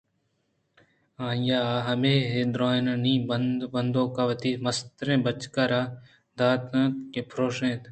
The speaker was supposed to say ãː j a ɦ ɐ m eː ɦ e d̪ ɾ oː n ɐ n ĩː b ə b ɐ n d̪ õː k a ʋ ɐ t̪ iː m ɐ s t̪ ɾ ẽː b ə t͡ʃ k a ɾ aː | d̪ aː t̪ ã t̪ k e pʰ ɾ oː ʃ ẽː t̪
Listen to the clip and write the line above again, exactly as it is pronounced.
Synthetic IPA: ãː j a ɦ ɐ m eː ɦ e d̪ ɾ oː n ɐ n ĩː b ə b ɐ n d̪ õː k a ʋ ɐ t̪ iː m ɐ s t̪ ɾ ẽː b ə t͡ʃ k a ɾ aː | d̪ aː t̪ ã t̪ k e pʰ ɾ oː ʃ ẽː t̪